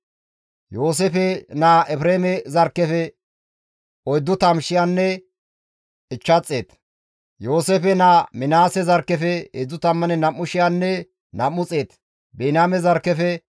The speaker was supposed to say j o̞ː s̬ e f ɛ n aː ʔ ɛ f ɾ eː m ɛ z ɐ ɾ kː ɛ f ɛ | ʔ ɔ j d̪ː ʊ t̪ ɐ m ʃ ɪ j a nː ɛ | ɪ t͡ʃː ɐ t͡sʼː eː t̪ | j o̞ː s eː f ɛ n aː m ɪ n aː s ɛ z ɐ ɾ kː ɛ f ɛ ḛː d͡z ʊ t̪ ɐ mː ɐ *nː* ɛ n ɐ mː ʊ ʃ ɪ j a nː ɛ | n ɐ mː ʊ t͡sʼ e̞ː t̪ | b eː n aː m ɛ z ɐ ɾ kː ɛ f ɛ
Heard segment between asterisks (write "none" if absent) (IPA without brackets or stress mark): n